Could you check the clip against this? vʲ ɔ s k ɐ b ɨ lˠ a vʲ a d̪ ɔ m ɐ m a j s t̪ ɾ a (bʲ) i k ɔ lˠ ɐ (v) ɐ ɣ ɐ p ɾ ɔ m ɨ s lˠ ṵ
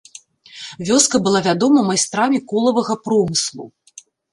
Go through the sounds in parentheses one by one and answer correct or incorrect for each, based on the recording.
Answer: incorrect: mʲ, correct

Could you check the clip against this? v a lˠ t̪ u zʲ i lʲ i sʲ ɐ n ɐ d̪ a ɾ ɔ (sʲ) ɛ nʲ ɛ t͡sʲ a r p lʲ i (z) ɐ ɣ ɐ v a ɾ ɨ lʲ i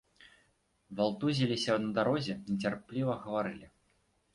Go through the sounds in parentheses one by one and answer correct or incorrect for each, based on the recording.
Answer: incorrect: zʲ, incorrect: v

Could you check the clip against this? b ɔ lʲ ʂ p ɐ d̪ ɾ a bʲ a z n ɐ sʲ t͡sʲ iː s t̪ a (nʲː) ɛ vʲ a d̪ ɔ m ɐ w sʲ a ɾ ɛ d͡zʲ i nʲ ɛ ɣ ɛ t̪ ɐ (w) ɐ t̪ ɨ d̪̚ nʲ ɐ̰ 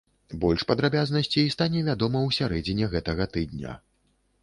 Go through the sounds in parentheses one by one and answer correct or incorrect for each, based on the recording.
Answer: incorrect: nʲ, incorrect: ɣ

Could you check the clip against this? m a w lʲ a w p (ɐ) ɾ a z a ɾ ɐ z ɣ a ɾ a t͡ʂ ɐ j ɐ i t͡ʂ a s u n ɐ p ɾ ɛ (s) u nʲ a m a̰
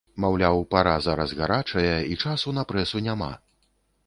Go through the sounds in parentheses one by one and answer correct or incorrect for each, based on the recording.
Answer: incorrect: a, correct

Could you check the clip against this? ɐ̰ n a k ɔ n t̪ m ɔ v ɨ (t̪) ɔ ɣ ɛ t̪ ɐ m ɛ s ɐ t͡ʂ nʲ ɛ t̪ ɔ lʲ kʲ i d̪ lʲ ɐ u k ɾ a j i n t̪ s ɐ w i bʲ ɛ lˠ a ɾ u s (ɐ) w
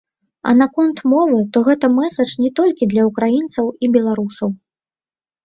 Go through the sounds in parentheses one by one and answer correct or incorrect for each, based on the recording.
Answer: correct, correct

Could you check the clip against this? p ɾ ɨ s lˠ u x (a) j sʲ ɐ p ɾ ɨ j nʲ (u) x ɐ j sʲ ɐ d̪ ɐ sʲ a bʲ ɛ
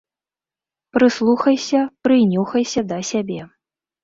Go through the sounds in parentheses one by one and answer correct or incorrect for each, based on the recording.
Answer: incorrect: ɐ, correct

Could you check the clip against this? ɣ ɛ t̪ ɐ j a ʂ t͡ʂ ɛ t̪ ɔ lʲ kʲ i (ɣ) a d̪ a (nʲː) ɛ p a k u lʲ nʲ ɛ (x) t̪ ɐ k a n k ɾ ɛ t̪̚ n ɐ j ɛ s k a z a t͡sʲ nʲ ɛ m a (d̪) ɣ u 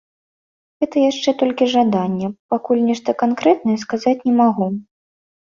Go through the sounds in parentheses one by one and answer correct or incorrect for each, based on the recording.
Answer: incorrect: ʐ, correct, incorrect: ʂ, incorrect: none

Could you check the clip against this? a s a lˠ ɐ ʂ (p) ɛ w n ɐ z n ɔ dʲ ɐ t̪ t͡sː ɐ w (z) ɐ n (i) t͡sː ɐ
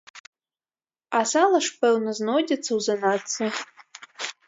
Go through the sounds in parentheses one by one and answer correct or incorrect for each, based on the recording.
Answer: correct, correct, incorrect: a

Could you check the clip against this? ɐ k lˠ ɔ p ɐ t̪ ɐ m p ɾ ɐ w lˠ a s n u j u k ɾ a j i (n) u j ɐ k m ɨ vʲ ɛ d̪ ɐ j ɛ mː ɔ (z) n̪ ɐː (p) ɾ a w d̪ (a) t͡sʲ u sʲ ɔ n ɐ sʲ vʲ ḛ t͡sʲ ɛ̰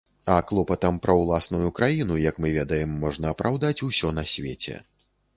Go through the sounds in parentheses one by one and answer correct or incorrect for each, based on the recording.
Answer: correct, incorrect: ʐ, correct, correct

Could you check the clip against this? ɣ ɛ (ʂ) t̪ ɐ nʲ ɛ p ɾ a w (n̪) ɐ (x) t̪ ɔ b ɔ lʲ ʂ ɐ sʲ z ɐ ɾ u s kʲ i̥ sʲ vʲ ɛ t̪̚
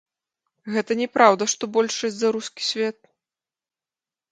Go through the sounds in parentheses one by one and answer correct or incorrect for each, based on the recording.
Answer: incorrect: none, incorrect: d̪, incorrect: ʂ

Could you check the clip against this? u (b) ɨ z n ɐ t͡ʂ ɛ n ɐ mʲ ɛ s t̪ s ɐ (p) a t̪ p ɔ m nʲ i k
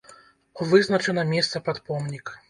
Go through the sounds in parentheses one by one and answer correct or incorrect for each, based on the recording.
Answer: incorrect: v, correct

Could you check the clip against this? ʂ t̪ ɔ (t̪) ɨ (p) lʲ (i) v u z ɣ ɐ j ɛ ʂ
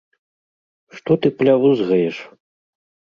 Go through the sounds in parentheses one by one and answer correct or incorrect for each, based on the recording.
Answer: correct, correct, incorrect: a

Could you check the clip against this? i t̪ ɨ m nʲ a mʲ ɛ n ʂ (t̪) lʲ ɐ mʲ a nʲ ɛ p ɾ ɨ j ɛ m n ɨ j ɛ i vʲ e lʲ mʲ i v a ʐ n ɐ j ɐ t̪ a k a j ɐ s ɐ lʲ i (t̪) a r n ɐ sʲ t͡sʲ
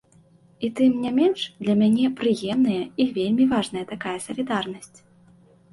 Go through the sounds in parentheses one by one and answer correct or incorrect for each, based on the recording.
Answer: incorrect: d̪, incorrect: d̪

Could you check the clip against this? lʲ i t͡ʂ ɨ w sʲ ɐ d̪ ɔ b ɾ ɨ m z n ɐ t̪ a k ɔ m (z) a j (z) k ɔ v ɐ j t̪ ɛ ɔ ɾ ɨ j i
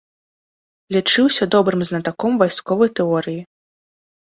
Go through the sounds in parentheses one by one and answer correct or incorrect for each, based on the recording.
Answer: incorrect: v, incorrect: s

